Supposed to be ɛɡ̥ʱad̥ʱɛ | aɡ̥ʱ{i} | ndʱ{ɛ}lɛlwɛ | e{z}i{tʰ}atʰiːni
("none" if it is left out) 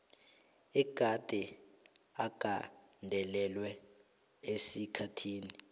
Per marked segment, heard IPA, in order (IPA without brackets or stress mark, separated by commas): a, ɛ, s, kʰ